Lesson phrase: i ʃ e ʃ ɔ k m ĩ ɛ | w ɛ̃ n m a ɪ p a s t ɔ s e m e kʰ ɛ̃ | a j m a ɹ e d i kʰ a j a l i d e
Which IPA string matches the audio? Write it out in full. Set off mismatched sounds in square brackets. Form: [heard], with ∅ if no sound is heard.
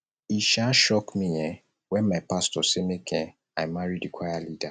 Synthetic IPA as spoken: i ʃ [a] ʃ ɔ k m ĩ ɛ | w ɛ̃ n m a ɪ p a s t ɔ s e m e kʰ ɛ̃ | a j m a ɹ [i] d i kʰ a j a l i d [a]

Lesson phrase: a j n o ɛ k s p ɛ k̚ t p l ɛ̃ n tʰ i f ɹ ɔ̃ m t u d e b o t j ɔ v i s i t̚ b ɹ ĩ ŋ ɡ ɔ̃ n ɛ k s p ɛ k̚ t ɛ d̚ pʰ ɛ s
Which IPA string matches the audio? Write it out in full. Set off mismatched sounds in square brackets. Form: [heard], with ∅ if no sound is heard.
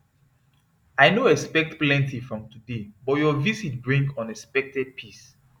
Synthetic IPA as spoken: a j n o ɛ k s p ɛ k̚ t p l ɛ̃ n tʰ i f ɹ ɔ̃ m t u d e b [ɔ] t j ɔ v i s i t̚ b ɹ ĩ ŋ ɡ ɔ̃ n ɛ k s p ɛ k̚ t ɛ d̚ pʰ [i] s

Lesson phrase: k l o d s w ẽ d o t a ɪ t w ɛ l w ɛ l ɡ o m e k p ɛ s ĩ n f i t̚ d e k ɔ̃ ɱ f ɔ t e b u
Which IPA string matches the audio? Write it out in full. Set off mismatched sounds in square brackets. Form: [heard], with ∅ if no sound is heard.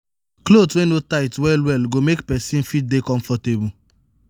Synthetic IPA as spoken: k l o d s w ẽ [n] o t a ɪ t w ɛ l w ɛ l ɡ o m e k p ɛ s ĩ n f i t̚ d e k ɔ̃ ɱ f ɔ t e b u

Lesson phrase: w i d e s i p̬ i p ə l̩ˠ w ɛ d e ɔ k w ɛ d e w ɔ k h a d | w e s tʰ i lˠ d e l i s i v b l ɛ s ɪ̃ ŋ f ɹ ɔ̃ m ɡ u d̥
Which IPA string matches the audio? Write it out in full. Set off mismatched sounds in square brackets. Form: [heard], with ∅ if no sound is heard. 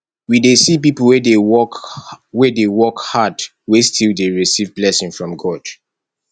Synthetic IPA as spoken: w i d e s i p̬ i p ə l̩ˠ w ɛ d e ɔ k w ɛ d e w ɔ k h a d | w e s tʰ i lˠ d e [ɹ] i s i v b l ɛ s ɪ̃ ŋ f ɹ ɔ̃ m ɡ [ɔ] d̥

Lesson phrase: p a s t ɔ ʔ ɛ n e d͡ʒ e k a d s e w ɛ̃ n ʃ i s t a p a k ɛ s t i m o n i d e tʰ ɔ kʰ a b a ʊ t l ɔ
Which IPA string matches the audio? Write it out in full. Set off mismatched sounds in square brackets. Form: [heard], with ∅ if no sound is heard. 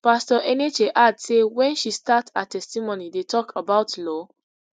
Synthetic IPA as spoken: p a s t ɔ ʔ ɛ n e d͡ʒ e [ʔ] a d s e w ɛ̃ n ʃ i s t a [t] a [t] ɛ s t i m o n i d e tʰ ɔ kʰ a b a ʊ t l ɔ

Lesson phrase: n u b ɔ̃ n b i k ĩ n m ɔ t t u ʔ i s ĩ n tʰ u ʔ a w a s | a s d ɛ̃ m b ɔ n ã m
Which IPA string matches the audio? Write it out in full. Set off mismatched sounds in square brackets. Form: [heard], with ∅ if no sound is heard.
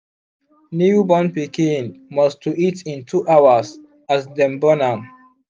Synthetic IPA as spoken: n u b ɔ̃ n [p] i k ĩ n m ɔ [s] t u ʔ i [t] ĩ n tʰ u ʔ a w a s | a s d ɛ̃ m b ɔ n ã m

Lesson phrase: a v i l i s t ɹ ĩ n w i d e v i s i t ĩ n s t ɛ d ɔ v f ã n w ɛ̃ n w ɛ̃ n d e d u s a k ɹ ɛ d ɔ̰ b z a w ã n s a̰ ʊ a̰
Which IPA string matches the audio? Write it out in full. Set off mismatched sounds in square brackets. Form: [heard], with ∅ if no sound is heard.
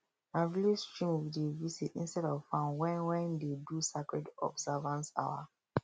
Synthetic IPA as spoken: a v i l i s t ɹ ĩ [m] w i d e v i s i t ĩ n s t ɛ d ɔ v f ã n w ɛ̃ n w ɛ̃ n d e d u s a k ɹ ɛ d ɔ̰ b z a [v] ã n s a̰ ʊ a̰

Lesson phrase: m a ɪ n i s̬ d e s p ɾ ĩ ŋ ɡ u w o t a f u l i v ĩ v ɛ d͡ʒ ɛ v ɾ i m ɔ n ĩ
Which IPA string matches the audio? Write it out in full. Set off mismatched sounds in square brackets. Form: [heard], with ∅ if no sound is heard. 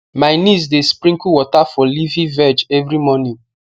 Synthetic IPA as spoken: m a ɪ n i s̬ d e s p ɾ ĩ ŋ [k] u w [ɔ] t a f [ɔ] l i v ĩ v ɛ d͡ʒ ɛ v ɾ i m ɔ n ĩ

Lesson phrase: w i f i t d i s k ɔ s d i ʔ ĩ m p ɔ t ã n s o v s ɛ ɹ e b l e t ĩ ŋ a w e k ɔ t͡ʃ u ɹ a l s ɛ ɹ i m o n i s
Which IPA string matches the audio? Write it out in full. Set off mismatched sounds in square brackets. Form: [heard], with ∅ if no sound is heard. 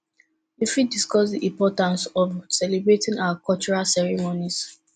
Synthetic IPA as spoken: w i f i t d i s k ɔ s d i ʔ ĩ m p ɔ t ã n s [ɔ] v s ɛ [l] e b [ɹ] e t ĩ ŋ a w [a] k ɔ t͡ʃ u ɹ a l s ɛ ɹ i m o n i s

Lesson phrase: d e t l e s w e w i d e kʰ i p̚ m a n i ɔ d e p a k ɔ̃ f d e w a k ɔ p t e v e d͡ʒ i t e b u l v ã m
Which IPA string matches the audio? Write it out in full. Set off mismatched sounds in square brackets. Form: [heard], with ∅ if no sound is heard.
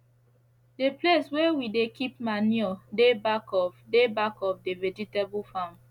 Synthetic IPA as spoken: d e [p] l e s w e w i d e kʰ i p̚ m a n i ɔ d e [b] a k [ɔ] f d e [b] a k ɔ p [d] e v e d͡ʒ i t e b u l [f] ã m

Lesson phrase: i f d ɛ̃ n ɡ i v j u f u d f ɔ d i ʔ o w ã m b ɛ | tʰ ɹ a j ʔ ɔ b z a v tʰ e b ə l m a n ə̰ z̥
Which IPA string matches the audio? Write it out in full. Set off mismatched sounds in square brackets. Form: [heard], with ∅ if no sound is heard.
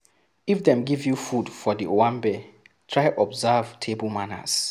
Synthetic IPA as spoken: i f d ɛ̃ [m] ɡ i v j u f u d f ɔ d i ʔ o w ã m b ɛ | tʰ ɹ a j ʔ ɔ b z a v tʰ e b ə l m a n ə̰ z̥

